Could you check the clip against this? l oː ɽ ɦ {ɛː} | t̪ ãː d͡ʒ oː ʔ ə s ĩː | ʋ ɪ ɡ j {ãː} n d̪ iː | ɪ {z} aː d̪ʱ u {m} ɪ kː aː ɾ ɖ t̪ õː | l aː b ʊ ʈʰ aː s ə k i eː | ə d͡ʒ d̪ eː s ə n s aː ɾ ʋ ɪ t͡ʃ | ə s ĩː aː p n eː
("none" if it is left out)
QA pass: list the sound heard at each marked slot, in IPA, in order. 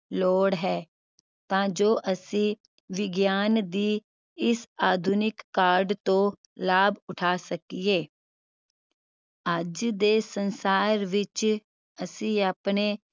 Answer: ɛː, aː, s, n

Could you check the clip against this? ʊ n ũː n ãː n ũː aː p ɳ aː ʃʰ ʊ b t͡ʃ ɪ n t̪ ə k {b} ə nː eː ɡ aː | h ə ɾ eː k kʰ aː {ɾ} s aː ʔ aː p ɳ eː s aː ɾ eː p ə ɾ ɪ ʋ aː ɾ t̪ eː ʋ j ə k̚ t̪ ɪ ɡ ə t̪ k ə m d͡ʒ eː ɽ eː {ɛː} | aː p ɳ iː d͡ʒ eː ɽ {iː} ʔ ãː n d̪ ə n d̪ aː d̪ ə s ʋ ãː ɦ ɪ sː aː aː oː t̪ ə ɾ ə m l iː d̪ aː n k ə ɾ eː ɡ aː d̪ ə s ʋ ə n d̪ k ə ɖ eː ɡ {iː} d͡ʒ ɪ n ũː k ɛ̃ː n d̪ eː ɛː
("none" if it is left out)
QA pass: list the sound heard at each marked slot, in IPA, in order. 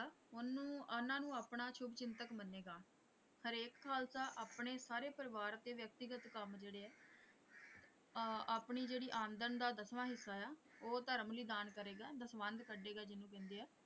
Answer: m, l, ɛː, iː, aː

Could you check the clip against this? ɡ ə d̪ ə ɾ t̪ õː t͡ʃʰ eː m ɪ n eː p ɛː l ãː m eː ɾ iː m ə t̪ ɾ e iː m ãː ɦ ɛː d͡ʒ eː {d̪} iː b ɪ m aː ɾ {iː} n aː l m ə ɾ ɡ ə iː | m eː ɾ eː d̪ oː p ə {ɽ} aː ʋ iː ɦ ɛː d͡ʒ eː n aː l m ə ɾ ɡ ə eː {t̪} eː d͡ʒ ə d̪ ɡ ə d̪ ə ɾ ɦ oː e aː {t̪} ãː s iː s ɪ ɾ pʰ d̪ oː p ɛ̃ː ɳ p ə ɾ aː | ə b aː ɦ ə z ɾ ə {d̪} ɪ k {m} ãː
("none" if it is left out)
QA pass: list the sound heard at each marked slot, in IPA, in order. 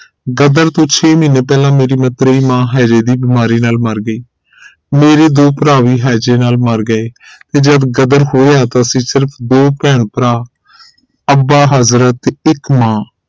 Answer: d̪, iː, ɾ, t̪, t̪, t̪, m

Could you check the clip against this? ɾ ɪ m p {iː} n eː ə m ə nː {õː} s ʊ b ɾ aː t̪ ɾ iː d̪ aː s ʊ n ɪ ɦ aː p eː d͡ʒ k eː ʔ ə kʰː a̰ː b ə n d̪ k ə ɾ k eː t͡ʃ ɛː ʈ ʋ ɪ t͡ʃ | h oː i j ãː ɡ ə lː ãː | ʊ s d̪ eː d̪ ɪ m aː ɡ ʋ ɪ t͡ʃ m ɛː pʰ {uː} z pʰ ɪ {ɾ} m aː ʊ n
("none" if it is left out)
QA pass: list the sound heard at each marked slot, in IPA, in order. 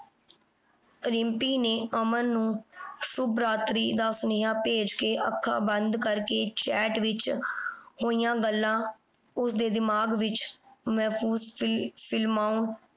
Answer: iː, ũː, uː, l

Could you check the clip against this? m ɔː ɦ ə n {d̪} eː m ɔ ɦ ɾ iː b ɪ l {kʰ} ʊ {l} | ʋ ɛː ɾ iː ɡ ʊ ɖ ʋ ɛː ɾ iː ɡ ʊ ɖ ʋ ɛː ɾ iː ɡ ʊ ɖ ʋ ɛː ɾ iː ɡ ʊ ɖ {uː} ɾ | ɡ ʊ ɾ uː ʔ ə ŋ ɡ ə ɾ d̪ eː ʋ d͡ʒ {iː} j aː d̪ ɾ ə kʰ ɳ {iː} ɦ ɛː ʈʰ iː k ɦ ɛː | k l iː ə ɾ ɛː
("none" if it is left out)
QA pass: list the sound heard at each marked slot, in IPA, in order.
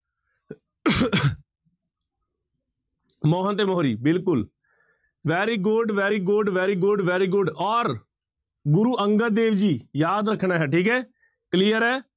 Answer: t̪, k, l, ɔː, iː, aː

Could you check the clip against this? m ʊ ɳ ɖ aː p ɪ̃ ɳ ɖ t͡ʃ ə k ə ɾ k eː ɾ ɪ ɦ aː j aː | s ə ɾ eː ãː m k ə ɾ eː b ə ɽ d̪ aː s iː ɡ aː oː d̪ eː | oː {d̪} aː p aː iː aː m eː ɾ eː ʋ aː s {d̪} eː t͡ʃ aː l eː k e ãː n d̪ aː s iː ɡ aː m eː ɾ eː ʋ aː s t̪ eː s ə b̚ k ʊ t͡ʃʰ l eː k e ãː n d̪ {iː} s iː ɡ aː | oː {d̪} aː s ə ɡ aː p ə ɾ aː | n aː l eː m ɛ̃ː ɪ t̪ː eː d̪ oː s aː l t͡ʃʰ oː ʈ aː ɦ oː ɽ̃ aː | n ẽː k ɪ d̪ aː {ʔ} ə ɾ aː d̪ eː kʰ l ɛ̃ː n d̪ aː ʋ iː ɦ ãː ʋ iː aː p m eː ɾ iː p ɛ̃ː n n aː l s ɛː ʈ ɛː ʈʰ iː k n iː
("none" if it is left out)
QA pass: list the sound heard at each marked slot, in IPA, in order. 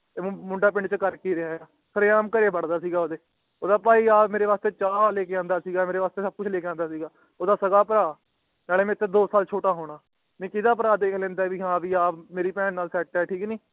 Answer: d̪, t̪, aː, d̪, p

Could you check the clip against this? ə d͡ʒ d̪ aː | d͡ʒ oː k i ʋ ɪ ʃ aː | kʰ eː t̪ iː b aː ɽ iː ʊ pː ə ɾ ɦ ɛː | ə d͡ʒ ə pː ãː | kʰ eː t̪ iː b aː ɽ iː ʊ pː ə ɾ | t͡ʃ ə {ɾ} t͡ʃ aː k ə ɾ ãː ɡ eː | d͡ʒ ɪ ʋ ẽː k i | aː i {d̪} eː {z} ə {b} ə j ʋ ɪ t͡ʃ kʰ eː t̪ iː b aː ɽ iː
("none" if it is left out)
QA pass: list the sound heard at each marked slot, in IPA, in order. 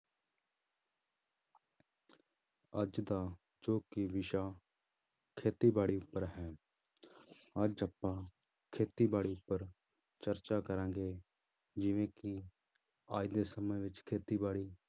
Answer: ɾ, d̪, s, m

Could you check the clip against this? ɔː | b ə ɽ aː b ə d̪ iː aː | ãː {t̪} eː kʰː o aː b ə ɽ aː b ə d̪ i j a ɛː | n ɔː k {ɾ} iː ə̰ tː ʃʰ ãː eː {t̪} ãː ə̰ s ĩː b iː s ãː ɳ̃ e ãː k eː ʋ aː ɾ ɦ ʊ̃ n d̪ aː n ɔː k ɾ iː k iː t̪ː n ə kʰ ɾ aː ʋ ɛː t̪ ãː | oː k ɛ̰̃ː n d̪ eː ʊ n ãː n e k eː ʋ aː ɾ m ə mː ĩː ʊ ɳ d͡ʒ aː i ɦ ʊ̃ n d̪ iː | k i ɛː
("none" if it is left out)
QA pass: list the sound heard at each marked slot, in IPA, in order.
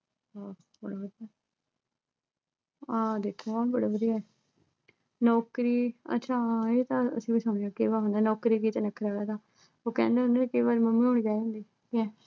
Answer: d̪, ɾ, t̪

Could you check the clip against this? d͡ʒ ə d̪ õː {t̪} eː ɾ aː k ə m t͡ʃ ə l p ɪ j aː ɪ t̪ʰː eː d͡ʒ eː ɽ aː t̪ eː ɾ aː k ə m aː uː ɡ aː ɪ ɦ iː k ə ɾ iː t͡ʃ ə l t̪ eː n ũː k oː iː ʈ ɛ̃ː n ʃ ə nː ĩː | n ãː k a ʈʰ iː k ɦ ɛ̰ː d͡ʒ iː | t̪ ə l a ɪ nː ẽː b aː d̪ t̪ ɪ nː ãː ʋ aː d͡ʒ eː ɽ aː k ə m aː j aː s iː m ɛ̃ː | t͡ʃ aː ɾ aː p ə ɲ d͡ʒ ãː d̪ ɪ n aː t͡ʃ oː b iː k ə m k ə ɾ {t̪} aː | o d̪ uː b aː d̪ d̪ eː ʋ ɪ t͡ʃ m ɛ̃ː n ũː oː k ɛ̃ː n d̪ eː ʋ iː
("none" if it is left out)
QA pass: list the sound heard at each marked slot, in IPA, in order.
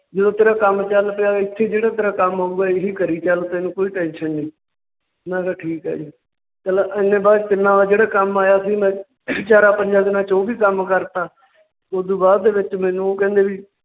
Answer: t̪, t̪

